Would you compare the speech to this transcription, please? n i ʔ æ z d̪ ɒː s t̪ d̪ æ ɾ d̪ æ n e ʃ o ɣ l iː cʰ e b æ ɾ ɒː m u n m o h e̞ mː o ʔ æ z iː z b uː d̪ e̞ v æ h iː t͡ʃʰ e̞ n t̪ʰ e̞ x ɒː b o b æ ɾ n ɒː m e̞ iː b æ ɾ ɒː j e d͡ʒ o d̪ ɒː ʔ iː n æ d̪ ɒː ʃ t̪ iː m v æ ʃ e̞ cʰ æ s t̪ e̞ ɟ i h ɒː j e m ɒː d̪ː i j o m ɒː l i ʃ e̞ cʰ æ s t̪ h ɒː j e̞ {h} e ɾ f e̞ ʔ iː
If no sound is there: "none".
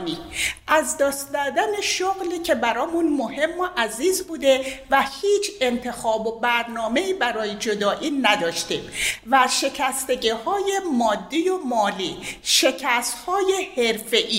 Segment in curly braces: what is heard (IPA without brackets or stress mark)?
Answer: h